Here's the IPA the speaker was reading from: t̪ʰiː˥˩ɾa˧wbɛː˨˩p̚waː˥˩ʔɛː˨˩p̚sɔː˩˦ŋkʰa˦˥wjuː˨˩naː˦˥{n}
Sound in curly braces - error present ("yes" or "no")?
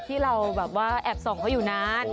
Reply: no